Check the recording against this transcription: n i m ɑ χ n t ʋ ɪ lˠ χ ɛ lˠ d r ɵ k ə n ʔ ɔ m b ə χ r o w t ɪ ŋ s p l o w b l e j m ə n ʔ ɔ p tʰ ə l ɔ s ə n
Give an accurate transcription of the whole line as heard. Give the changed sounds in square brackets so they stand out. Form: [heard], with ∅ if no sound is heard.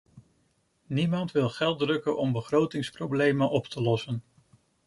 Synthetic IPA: n i m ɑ [∅] n t ʋ ɪ lˠ χ ɛ lˠ d r ɵ k ə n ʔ ɔ m b ə χ r o w t ɪ ŋ s p [r] o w b l e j m ə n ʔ ɔ p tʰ ə l ɔ s ə n